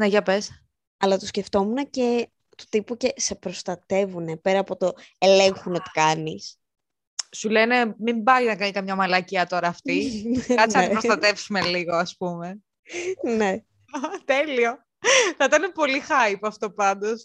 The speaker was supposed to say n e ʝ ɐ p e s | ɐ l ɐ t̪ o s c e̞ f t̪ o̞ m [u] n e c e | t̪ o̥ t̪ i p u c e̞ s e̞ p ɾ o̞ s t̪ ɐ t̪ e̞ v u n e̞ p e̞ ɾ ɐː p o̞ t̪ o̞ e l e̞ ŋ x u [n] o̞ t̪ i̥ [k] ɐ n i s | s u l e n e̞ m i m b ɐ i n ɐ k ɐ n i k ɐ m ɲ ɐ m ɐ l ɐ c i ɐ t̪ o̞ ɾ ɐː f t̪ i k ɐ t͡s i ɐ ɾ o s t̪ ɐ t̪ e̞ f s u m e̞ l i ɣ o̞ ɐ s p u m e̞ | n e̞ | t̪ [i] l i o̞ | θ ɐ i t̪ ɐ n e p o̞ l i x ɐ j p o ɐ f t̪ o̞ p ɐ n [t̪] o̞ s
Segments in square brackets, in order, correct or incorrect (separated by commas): correct, correct, correct, incorrect, incorrect